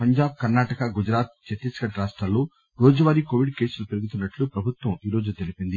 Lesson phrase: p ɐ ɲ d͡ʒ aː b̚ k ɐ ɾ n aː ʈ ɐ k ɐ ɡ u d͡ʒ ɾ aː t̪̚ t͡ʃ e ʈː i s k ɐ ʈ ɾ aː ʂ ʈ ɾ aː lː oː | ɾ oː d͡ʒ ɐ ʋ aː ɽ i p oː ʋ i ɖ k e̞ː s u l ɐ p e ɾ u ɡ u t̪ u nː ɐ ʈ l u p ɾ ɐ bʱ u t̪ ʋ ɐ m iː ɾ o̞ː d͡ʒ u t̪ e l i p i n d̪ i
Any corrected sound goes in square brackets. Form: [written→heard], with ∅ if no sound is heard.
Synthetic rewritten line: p ɐ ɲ d͡ʒ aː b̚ k ɐ ɾ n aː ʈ ɐ k ɐ ɡ u d͡ʒ ɾ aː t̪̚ t͡ʃ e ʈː i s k ɐ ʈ ɾ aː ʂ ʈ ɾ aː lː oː | ɾ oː d͡ʒ ɐ ʋ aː [ɽ→ɾ] i [p→k] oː ʋ i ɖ k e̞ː s u l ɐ p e ɾ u ɡ u t̪ u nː ɐ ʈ l u p ɾ ɐ bʱ u t̪ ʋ ɐ m iː ɾ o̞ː d͡ʒ u t̪ e l i p i n d̪ i